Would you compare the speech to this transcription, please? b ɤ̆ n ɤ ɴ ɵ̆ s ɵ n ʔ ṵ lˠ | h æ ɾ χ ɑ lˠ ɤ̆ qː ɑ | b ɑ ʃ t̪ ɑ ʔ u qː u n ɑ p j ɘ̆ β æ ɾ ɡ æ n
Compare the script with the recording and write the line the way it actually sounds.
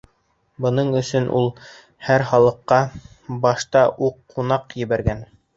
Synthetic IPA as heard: b ɤ̆ n ɤ ɴ ɵ̆ s ɵ n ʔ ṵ lˠ | h æ ɾ χ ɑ lˠ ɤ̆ qː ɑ | b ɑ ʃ t̪ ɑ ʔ u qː u n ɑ q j ɘ̆ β æ ɾ ɡ æ n